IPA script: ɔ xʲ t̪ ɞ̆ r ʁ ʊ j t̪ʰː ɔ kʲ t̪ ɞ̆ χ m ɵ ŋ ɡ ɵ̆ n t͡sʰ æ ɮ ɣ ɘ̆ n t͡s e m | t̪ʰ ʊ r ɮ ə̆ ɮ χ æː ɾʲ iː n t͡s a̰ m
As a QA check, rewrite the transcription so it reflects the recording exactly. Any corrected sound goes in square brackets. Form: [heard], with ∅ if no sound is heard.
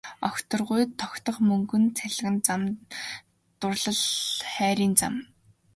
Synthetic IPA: ɔ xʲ t̪ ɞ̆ r ʁ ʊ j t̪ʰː ɔ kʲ t̪ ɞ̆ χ m ɵ ŋ ɡ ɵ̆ n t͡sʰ æ ɮ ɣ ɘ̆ n t͡s [a] m | [t̪] ʊ r ɮ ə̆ ɮ χ æː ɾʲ iː n t͡s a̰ m